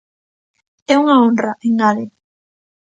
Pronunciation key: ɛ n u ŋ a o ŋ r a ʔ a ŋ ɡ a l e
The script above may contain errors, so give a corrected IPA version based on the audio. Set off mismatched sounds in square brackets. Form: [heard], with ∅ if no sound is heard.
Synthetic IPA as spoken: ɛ [∅] u ŋ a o [n] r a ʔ [e] ŋ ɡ a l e

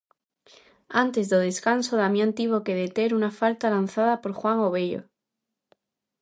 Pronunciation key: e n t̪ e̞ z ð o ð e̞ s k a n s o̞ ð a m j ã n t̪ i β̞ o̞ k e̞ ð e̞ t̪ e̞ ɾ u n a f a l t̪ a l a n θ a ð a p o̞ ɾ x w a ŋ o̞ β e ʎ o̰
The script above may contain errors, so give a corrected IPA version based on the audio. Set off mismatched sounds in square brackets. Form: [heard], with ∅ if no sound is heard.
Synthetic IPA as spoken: [a] n t̪ e̞ z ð o ð e̞ s k a n s o̞ ð a m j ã n t̪ i β̞ o̞ k e̞ ð e̞ t̪ e̞ ɾ u n a f a l t̪ a l a n θ a ð a p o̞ ɾ x w a ŋ o̞ β e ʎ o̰

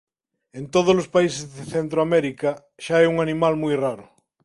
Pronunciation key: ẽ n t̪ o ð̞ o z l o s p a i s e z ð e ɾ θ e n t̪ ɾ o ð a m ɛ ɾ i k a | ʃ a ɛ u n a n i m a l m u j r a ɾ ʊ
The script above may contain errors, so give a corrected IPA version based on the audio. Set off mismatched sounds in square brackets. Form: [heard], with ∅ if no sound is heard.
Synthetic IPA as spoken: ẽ n t̪ o ð̞ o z l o s p a i s e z ð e [∅] θ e n t̪ ɾ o [∅] a m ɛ ɾ i k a | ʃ a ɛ u [ŋ] a n i m a l m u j r a ɾ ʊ

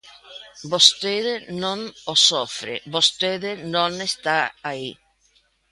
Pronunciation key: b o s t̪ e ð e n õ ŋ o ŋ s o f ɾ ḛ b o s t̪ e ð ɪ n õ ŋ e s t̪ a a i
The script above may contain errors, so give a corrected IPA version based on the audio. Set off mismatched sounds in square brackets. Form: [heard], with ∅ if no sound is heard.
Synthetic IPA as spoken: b o s t̪ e ð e n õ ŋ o [∅] s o f ɾ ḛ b o s t̪ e ð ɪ n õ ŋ e s t̪ a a i

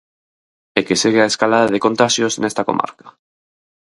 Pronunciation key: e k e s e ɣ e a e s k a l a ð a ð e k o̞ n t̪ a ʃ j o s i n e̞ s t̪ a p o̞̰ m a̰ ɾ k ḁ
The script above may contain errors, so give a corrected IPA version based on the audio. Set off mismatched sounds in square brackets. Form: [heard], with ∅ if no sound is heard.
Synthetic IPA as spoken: e k e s e ɣ e a e s k a l a ð a ð e k o̞ n t̪ a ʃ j o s [e] n e̞ s t̪ a [k] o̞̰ m a̰ ɾ k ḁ

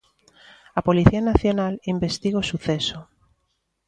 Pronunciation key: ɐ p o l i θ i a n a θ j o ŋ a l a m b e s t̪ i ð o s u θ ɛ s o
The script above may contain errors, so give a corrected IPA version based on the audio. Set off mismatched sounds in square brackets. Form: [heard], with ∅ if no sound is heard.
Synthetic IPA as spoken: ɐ p o l i θ i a n a θ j o [n] a l [i] m b e s t̪ i [ɣ] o s u θ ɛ s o

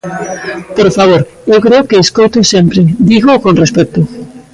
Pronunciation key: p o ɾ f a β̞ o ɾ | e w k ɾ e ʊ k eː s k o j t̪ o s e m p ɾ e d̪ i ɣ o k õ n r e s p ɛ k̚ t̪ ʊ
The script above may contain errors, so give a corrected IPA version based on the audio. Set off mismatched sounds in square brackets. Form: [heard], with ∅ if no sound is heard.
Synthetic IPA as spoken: p o ɾ f a β̞ o ɾ | e w k ɾ e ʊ k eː s k o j t̪ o s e m p ɾ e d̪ i ɣ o k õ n r e s p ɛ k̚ t̪ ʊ

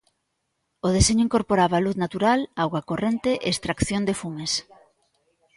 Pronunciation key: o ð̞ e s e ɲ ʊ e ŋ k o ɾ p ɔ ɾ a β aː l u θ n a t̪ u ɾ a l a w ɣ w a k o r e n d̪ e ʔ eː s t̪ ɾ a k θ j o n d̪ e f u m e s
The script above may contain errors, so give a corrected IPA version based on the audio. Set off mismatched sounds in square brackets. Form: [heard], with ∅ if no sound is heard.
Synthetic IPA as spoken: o ð̞ e s e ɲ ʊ [i] ŋ k o ɾ p [o] ɾ a β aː l u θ n a t̪ u ɾ a l a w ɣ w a k o r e n [t̪] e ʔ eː s t̪ ɾ a k θ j o n d̪ e f u m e s

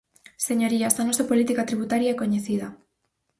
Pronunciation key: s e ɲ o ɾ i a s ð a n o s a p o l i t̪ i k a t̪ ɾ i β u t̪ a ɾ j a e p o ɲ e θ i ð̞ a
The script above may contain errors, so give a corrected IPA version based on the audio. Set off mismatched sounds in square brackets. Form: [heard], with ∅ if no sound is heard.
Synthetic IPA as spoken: s e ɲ o ɾ i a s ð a n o s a p o l i t̪ i k a t̪ ɾ i β u t̪ a ɾ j a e [k] o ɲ e θ i ð̞ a

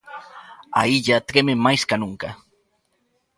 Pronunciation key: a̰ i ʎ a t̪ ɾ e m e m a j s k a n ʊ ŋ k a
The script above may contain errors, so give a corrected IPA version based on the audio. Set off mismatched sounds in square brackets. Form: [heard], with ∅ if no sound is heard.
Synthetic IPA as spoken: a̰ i ʎ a t̪ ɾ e m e m a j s k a n ʊ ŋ k a

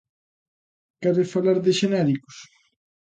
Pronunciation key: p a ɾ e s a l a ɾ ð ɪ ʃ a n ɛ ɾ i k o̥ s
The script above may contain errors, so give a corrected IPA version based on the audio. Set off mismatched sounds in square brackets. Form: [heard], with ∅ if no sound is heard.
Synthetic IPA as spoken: [k] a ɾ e [f] a l a ɾ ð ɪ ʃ [e] n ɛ ɾ i k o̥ s

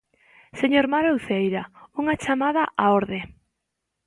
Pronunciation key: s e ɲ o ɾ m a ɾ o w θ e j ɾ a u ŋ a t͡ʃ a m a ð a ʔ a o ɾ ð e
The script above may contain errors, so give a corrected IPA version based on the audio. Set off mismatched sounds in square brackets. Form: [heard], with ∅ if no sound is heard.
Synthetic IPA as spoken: s e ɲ o ɾ m a ɾ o w θ e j ɾ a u ŋ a t͡ʃ a m a ð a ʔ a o ɾ ð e

